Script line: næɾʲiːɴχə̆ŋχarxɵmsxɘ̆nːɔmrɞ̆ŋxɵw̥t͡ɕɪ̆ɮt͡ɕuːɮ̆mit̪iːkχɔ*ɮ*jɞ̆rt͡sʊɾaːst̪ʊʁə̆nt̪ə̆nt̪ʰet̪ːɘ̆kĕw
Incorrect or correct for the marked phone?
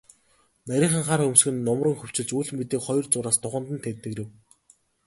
incorrect: none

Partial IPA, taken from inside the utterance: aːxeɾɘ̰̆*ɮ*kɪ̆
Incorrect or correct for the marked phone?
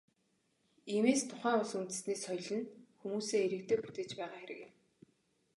incorrect: none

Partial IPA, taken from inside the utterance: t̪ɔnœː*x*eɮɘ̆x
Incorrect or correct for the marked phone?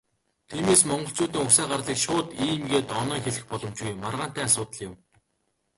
correct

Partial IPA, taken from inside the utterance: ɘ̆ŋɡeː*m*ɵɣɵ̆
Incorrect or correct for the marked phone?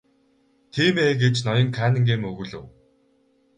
correct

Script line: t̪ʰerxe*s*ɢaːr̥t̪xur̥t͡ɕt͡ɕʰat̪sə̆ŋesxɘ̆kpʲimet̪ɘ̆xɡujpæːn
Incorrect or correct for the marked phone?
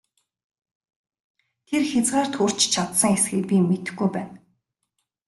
incorrect: t͡s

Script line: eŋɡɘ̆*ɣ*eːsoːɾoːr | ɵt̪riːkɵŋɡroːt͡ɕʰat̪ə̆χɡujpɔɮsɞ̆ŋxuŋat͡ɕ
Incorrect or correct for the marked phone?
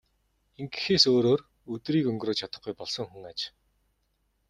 incorrect: x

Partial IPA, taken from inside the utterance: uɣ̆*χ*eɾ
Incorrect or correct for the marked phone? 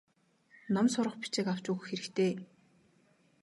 incorrect: x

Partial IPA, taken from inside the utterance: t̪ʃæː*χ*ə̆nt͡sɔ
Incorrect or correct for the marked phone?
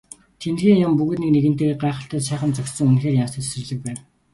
correct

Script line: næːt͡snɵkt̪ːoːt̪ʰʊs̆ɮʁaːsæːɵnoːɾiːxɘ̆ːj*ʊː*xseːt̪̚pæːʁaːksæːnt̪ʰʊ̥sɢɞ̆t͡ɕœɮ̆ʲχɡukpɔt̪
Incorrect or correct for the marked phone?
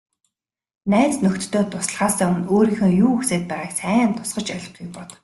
incorrect: uː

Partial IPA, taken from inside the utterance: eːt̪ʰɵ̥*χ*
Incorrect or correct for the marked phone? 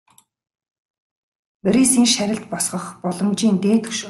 incorrect: ʃ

